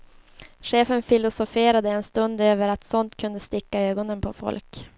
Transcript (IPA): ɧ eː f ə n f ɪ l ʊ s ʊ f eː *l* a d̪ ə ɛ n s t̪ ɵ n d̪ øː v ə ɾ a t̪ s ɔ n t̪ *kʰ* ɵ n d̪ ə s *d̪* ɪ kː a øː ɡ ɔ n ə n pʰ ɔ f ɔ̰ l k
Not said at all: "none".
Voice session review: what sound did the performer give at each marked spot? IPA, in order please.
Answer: ɾ, kʰ, t̪

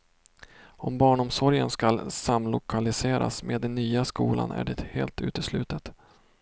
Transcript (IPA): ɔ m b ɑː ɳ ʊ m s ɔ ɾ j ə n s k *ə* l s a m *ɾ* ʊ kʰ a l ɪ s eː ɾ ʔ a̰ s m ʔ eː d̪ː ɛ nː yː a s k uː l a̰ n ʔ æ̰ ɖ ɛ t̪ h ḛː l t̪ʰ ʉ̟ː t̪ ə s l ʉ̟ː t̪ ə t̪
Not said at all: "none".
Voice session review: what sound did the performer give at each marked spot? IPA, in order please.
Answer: a, l

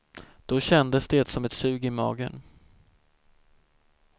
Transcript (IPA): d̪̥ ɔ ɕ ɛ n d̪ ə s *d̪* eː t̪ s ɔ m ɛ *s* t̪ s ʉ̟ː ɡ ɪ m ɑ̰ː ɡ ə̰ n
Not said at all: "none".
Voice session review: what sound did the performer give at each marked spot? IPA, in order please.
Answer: d̪, none

